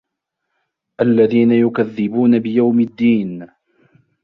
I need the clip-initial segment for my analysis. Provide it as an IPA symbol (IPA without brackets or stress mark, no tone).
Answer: ʔ